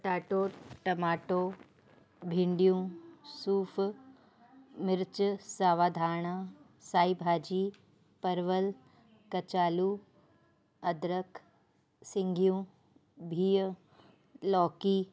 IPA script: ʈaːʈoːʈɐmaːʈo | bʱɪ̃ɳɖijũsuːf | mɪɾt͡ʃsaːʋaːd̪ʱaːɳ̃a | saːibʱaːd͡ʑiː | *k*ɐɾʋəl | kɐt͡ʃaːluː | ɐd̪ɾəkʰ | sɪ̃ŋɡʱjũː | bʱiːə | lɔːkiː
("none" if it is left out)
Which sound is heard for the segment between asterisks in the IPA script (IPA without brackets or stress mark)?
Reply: p